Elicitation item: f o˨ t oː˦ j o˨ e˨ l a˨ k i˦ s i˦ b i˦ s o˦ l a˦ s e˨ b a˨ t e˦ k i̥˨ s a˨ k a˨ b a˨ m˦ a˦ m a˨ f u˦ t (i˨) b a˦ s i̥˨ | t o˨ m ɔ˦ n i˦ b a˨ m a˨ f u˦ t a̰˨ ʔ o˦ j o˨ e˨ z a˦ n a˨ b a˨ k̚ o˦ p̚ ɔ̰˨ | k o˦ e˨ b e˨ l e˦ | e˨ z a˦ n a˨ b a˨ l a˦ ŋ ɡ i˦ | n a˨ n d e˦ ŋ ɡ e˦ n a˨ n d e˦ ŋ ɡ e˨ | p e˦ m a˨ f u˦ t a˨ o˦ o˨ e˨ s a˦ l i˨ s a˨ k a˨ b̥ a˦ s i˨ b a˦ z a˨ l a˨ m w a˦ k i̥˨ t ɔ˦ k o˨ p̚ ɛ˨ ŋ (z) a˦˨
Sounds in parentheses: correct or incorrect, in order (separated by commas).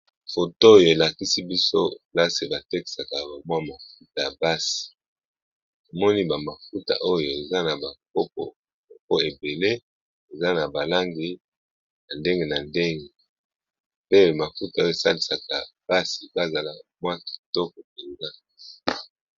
incorrect, correct